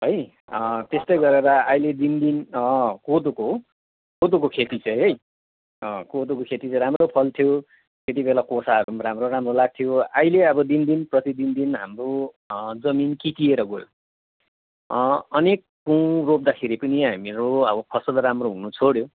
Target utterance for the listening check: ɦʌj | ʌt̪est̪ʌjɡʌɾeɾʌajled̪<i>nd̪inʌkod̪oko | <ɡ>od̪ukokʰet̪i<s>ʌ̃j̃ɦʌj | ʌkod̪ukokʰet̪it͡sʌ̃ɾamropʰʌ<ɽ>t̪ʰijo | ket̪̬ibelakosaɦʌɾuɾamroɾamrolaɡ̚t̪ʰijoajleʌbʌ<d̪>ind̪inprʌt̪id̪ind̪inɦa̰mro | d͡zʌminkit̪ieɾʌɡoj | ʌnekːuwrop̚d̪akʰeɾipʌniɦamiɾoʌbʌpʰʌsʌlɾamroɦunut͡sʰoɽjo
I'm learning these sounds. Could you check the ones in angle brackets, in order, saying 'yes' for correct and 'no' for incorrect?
yes, no, no, no, yes

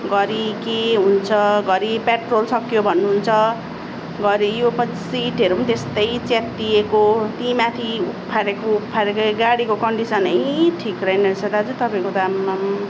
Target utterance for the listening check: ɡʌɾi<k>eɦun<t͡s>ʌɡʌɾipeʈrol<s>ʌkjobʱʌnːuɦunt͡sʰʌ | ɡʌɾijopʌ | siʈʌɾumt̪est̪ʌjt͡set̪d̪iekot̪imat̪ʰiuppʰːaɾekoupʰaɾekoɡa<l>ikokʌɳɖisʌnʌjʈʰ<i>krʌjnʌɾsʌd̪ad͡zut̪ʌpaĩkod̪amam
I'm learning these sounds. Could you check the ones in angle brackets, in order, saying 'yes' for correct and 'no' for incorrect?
yes, no, yes, no, yes

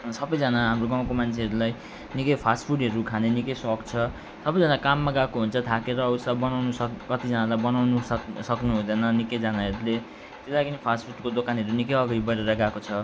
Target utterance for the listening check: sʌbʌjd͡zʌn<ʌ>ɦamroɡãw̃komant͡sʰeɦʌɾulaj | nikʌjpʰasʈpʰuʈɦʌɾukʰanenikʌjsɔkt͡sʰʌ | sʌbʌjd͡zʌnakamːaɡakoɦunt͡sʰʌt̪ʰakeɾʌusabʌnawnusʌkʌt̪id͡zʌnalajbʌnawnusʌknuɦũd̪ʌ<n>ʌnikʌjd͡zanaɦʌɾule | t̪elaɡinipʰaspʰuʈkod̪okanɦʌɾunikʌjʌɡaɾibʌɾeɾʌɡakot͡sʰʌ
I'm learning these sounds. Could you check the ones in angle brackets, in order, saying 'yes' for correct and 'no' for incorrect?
no, yes

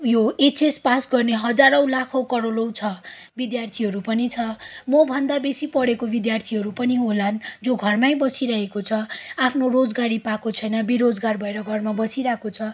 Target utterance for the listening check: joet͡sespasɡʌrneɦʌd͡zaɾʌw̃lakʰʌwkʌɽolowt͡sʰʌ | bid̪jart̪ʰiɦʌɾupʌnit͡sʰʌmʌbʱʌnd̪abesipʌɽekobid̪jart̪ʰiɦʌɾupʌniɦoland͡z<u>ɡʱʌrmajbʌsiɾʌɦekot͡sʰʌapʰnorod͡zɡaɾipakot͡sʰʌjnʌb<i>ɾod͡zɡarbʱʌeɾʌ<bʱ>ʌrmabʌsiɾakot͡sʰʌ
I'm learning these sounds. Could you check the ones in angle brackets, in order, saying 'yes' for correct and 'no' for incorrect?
no, yes, no

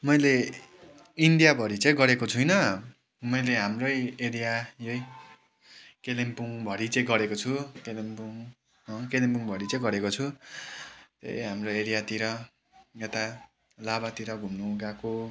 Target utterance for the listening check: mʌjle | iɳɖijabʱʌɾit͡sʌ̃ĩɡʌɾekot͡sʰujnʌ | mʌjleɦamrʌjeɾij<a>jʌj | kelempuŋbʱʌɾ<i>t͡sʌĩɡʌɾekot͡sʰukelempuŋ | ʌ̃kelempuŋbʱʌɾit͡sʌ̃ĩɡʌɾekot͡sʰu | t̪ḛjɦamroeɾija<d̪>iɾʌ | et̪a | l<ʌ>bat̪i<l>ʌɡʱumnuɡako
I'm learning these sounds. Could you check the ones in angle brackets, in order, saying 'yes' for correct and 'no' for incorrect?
yes, yes, no, no, no

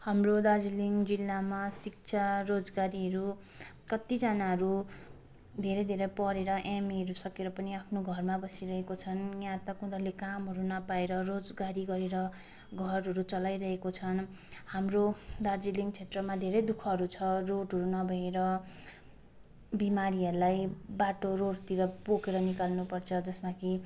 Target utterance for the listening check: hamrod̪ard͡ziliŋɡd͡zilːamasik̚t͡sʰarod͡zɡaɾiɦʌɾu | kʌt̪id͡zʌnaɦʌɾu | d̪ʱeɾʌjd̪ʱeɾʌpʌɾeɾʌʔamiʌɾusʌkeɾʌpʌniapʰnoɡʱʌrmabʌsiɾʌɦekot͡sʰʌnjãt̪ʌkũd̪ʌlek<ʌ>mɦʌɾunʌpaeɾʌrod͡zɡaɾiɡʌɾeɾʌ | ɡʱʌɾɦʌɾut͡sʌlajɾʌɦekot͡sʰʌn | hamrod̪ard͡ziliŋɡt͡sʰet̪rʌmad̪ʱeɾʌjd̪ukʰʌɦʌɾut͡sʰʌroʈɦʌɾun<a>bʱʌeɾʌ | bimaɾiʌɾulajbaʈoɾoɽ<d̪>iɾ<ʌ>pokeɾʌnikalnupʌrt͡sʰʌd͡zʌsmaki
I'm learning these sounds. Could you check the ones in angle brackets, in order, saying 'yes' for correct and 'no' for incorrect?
no, no, no, yes

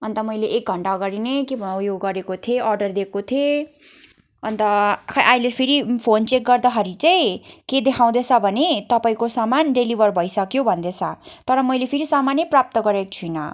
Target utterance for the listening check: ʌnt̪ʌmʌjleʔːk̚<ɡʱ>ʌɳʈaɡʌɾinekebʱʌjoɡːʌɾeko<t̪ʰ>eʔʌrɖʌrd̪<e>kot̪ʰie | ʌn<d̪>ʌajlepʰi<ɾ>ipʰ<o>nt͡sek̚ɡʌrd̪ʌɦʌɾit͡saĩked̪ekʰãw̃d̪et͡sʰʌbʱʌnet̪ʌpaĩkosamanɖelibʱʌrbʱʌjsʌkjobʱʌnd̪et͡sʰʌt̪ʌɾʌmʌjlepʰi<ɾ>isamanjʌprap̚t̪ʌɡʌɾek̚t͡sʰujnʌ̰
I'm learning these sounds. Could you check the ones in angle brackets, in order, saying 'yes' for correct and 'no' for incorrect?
yes, yes, yes, no, yes, yes, yes

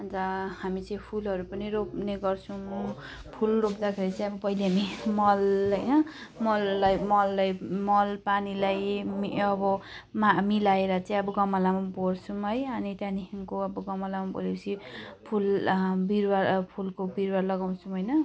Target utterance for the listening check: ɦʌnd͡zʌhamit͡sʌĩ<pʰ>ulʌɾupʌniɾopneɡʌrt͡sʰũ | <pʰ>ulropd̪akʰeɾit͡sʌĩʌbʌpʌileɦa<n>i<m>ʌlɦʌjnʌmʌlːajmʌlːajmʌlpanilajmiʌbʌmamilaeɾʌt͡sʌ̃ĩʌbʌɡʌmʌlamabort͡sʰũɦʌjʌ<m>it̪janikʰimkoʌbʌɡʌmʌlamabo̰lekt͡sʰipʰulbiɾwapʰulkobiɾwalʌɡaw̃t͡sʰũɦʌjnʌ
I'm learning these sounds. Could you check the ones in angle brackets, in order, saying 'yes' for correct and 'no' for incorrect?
yes, yes, no, yes, no

